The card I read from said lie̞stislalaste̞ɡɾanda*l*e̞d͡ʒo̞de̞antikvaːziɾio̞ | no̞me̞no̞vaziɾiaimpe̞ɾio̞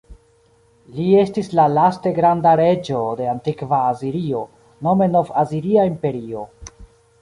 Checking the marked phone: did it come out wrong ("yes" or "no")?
yes